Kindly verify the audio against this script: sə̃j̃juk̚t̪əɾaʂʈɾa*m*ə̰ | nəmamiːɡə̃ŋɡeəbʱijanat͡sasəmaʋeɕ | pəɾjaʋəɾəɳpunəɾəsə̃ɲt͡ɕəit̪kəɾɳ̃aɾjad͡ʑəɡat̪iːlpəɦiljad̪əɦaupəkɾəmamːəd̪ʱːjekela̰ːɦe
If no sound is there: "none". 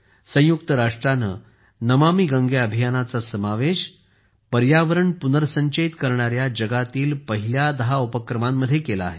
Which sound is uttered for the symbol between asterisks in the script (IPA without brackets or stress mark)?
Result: n